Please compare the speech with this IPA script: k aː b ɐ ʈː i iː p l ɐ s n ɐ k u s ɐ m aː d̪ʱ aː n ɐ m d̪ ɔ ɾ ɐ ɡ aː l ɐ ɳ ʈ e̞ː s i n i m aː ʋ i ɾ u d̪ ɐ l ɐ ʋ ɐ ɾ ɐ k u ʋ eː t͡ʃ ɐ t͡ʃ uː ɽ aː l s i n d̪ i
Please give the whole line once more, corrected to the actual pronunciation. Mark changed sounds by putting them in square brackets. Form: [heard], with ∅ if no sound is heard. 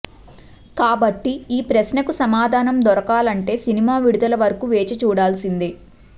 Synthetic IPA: k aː b ɐ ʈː i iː p [ɾ] ɐ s n ɐ k u s ɐ m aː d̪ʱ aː n ɐ m d̪ ɔ ɾ ɐ [k] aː l ɐ ɳ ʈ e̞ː s i n i m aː ʋ i [ɽ] u d̪ ɐ l ɐ ʋ ɐ ɾ ɐ k u ʋ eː t͡ʃ ɐ t͡ʃ uː ɽ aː l s i n d̪ i